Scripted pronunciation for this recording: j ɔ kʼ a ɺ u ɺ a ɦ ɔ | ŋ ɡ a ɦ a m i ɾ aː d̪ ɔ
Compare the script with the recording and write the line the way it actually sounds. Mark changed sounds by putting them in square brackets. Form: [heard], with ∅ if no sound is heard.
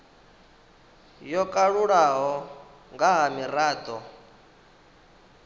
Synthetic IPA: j ɔ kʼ a ɺ u ɺ a ɦ ɔ | ŋ ɡ a ɦ a m i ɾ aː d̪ ɔ